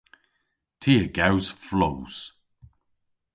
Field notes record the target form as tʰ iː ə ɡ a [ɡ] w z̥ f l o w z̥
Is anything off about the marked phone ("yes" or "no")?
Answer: yes